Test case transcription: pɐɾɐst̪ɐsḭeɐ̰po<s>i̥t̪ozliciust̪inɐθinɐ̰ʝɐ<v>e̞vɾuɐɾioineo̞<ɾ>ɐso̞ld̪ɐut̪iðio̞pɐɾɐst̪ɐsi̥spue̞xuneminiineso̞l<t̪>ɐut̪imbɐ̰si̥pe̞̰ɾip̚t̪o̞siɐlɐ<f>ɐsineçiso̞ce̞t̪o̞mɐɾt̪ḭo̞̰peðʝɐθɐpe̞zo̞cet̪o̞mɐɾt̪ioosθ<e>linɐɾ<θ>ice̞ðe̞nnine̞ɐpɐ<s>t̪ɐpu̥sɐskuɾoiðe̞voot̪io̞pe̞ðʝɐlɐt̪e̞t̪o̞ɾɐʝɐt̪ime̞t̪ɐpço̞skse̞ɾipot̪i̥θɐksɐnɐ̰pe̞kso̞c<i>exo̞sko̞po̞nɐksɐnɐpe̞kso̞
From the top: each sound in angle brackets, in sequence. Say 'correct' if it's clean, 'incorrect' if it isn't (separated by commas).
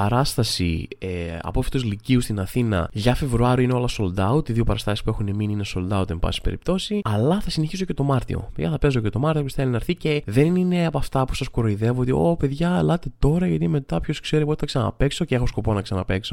incorrect, incorrect, incorrect, incorrect, incorrect, correct, correct, incorrect, incorrect